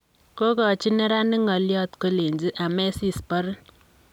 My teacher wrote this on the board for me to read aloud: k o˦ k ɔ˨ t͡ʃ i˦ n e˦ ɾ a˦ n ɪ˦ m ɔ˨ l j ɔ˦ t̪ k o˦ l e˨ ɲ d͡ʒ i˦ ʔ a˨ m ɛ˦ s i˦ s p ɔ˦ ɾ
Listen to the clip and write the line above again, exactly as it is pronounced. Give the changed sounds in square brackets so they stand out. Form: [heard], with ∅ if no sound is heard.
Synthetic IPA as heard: k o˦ k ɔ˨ t͡ʃ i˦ n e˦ ɾ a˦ n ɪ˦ [ŋ] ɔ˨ l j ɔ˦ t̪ k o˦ l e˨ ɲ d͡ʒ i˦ ʔ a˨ m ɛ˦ s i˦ s p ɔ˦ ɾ